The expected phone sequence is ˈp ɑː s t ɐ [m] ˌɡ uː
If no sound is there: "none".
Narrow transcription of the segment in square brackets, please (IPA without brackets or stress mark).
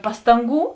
ŋ